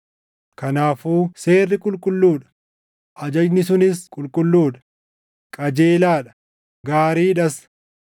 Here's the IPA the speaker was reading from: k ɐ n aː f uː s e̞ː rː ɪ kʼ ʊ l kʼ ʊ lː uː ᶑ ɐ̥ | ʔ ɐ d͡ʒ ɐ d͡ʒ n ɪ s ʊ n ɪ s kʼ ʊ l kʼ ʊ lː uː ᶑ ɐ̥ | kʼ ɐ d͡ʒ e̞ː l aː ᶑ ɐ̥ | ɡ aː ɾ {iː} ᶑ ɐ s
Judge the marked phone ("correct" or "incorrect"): correct